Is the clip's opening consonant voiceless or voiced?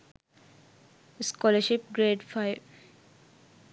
voiceless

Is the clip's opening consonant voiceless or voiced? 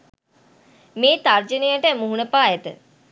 voiced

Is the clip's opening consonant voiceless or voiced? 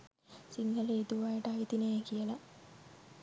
voiceless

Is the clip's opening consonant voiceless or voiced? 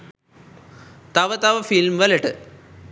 voiceless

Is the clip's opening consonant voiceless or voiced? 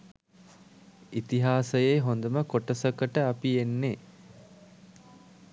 voiceless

